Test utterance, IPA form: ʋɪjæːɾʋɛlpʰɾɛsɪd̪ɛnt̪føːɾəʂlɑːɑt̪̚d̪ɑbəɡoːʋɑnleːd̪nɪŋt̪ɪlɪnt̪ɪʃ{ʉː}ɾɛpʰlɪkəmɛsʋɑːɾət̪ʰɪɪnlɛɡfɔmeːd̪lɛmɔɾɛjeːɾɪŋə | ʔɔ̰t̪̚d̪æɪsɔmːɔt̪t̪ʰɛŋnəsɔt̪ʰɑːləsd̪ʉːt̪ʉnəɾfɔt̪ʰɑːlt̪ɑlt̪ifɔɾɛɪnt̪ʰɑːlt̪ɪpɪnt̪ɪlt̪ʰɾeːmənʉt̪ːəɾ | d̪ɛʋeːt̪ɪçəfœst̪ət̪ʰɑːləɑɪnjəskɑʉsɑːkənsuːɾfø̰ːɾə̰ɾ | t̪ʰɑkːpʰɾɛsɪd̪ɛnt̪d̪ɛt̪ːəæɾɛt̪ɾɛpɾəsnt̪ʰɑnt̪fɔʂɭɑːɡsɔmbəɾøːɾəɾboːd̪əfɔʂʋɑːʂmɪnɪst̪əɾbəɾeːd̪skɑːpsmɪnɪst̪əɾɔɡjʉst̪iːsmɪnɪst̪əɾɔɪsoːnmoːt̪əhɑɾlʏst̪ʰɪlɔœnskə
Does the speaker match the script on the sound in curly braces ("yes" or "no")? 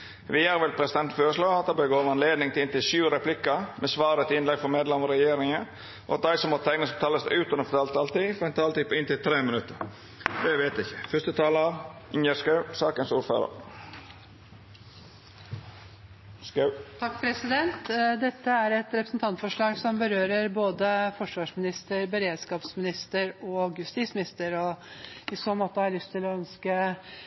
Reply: yes